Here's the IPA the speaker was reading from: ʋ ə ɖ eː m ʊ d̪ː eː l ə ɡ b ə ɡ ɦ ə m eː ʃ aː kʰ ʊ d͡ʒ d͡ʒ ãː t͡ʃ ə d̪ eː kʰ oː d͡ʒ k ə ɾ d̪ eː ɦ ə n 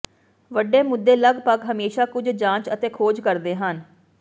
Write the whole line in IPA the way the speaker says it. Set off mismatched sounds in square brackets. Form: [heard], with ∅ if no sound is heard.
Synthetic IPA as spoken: ʋ ə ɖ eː m ʊ d̪ː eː l ə ɡ [p] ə ɡ ɦ ə m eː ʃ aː [k] ʊ d͡ʒ d͡ʒ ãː t͡ʃ ə [t̪] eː kʰ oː d͡ʒ k ə ɾ d̪ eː ɦ ə n